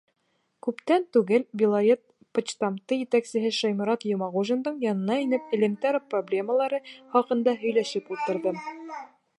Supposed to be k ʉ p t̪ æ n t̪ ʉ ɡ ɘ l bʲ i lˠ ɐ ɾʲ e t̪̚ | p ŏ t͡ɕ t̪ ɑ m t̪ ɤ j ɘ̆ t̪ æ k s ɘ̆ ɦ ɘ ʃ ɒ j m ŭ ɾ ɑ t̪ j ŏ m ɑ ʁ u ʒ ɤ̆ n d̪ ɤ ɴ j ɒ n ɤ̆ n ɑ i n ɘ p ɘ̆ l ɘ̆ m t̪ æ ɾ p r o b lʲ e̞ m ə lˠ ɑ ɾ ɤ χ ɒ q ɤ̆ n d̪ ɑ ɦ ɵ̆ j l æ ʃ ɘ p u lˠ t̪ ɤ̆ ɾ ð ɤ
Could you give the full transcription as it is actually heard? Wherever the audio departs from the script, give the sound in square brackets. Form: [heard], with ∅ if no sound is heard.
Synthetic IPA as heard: k ʉ p t̪ æ n t̪ ʉ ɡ ɘ l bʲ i lˠ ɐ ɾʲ e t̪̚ | p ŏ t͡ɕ t̪ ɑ m t̪ ɤ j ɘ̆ t̪ æ k s ɘ̆ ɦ ɘ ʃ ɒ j m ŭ ɾ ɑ t̪ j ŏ m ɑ ʁ u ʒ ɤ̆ n d̪ ɤ ɴ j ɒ n ɤ̆ n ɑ i n ɘ p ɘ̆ l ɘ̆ m t̪ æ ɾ p r o b lʲ e̞ m ə lˠ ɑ ɾ ɤ χ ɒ q ɤ̆ n d̪ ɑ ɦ ɵ̆ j l æ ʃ ɘ p u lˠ t̪ ɤ̆ ɾ ð ɤ